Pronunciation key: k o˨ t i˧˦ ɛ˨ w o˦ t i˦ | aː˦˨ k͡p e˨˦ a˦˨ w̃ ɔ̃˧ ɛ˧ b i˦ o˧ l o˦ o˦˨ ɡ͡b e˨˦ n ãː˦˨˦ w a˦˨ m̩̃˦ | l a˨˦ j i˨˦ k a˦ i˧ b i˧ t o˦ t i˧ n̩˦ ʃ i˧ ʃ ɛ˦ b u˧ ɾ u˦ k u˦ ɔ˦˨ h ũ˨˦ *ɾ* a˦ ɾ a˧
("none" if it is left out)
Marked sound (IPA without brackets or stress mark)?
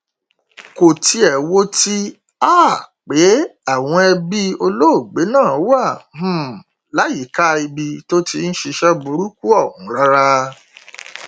ɾ